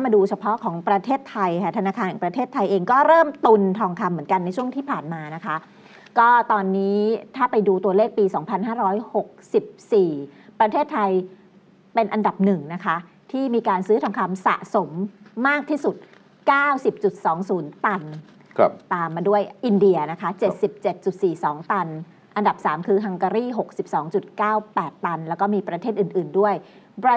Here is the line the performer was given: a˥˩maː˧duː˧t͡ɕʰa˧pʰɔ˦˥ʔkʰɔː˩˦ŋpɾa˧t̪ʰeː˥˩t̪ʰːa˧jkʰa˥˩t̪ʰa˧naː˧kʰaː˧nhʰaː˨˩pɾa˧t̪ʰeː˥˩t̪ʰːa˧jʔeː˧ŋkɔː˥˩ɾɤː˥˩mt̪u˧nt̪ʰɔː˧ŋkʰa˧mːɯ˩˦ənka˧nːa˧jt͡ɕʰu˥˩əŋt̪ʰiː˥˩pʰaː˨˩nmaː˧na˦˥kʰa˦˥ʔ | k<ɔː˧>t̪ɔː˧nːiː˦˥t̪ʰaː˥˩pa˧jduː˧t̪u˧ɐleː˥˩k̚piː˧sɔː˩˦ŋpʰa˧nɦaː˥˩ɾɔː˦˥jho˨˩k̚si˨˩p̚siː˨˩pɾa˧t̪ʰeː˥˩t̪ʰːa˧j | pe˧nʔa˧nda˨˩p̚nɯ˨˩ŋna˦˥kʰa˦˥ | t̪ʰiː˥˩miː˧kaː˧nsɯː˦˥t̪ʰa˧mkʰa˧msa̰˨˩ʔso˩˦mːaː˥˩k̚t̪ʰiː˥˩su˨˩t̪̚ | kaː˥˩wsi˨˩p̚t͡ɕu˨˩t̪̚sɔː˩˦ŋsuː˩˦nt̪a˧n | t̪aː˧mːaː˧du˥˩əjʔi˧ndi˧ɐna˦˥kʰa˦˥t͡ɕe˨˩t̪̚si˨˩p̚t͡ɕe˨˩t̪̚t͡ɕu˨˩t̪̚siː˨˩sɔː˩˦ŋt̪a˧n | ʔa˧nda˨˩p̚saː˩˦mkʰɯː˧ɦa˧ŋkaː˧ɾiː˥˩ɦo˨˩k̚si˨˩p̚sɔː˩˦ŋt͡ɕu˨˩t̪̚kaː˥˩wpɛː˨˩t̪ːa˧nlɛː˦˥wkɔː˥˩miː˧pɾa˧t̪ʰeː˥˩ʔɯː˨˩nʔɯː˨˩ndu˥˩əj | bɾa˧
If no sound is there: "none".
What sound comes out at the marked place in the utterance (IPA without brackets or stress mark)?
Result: ɔː˥˩